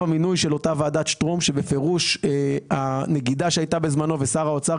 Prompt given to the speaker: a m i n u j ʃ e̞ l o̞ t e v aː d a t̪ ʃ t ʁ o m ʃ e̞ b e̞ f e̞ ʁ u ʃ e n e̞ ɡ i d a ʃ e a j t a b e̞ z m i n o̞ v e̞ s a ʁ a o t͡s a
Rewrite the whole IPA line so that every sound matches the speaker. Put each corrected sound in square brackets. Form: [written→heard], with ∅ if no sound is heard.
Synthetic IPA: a m i n u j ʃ e̞ l o̞ t [e→a] v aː d a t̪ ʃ t ʁ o m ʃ e̞ b e̞ f e̞ ʁ u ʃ [e→a] n e̞ ɡ i d a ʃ e a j t a b e̞ z m [i→a] n o̞ v e̞ s a ʁ a o t͡s a